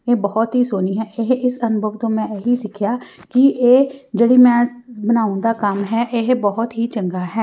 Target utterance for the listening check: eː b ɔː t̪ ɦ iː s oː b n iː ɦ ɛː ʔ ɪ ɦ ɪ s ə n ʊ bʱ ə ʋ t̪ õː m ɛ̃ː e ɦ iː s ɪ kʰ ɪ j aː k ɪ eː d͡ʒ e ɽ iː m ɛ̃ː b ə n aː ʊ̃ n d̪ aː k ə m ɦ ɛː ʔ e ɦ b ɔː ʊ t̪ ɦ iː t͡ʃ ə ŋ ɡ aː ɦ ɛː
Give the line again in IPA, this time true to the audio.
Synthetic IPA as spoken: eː b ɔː t̪ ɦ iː s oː n iː ɦ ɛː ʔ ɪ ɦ ɪ s ə n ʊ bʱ ə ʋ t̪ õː m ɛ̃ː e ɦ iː s ɪ kʰ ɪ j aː k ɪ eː d͡ʒ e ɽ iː m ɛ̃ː b ə n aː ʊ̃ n d̪ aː k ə m ɦ ɛː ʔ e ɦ b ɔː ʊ t̪ ɦ iː t͡ʃ ə ŋ ɡ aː ɦ ɛː

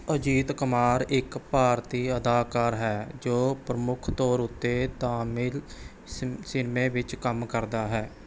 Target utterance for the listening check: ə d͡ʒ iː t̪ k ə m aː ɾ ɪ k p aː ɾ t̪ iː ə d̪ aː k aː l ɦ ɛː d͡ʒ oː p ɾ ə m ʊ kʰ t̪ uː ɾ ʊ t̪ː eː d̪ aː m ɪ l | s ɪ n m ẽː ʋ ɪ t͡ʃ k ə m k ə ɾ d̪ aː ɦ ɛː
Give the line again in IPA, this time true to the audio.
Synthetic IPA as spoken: ə d͡ʒ iː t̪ k ə m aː ɾ ɪ k p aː ɾ t̪ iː ə d̪ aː k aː ɾ ɦ ɛː d͡ʒ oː p ɾ ə m ʊ kʰ t̪ ɔː ɾ ʊ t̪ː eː t̪ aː m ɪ l | s ɪ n m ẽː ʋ ɪ t͡ʃ k ə m k ə ɾ d̪ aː ɦ ɛː

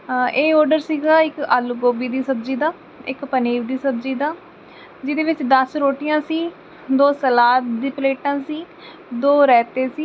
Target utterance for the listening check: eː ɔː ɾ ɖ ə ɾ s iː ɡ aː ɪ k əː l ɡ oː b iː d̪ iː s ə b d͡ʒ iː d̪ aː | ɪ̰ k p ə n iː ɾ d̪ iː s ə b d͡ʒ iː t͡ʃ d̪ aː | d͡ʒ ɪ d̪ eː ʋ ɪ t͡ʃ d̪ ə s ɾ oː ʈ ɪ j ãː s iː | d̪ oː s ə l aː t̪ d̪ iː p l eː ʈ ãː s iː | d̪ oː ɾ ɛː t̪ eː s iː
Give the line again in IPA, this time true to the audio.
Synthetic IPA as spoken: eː ɔː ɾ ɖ ə ɾ s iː ɡ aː ɪ k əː l ɡ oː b iː d̪ iː s ə b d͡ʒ iː d̪ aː | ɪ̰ k p ə n iː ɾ d̪ iː s ə b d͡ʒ iː d̪ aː | d͡ʒ ɪ d̪ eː ʋ ɪ t͡ʃ d̪ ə s ɾ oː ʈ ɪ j ãː s iː | d̪ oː s ə l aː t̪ d̪ iː p l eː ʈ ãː s iː | d̪ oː ɾ ɛː t̪ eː s iː

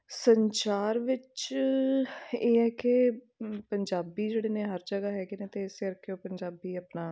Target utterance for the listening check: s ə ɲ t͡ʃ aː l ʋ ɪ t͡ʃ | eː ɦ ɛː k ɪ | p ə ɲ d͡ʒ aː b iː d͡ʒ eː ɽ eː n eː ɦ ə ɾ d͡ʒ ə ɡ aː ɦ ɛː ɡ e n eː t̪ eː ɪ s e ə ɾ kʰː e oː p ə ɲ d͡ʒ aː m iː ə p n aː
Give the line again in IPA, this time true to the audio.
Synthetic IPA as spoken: s ə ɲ t͡ʃ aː ɾ ʋ ɪ t͡ʃ | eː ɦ ɛː k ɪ | p ə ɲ d͡ʒ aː b iː d͡ʒ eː ɽ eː n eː ɦ ə ɾ d͡ʒ ə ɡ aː ɦ ɛː ɡ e n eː t̪ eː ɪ s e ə ɾ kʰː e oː p ə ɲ d͡ʒ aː b iː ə p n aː

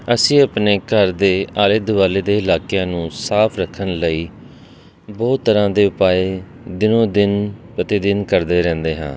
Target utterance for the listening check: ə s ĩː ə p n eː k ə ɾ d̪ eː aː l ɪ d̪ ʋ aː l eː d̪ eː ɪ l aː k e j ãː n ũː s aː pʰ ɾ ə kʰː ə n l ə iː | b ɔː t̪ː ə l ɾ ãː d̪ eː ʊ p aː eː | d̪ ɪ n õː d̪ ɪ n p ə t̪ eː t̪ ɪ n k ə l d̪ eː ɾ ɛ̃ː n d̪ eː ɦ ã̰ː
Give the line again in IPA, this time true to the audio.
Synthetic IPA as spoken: ə s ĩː ə p n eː k ə ɾ d̪ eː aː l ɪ d̪ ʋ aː l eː d̪ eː ɪ l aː k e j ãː n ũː s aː pʰ ɾ ə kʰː ə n l ə iː | b ɔː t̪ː ə ɾ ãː d̪ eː ʊ p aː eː | d̪ ɪ n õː d̪ ɪ n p ə t̪ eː d̪ ɪ n k ə ɾ d̪ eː ɾ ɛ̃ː n d̪ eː ɦ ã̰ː

